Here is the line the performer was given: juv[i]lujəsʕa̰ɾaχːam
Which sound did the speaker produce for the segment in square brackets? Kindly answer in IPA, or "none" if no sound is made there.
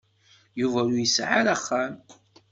æ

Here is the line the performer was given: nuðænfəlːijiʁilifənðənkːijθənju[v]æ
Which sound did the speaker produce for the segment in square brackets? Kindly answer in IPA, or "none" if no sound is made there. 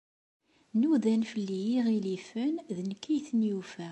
f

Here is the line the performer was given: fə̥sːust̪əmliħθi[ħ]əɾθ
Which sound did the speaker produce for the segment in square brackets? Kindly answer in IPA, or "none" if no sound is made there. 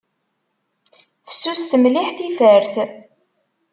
f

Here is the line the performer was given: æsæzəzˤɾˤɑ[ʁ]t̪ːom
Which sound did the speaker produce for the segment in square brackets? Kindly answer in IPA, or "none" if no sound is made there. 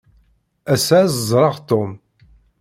ʁ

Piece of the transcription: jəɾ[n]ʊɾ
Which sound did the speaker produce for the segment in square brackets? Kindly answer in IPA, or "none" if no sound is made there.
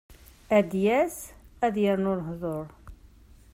n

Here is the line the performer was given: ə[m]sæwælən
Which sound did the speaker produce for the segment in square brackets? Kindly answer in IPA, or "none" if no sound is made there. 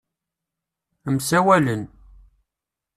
m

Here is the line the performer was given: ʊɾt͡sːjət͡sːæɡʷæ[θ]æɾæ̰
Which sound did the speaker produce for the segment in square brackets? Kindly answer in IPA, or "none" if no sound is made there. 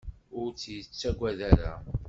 ð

